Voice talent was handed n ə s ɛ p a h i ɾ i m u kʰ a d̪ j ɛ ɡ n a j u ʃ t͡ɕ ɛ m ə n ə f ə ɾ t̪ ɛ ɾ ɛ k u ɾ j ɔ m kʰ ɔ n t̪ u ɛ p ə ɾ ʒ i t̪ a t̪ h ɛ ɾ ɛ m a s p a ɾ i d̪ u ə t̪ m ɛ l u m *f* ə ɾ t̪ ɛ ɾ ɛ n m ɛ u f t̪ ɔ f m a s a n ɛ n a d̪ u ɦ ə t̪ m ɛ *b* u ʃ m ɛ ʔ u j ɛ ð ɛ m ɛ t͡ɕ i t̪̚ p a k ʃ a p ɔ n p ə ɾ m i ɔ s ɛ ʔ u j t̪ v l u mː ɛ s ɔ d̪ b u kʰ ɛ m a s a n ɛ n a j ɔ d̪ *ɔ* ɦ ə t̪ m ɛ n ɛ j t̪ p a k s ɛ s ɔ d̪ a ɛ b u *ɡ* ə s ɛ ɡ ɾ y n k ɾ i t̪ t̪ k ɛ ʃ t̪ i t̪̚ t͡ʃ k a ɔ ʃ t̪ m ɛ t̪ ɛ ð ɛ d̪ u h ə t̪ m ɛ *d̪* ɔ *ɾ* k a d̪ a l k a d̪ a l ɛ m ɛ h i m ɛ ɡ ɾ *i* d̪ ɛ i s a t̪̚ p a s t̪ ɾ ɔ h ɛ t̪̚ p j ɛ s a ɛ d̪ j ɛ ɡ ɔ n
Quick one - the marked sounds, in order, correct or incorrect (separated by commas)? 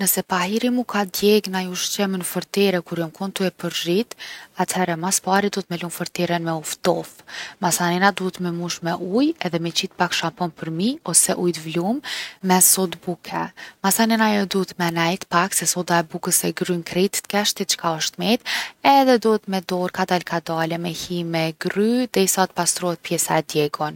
correct, incorrect, incorrect, incorrect, correct, correct, incorrect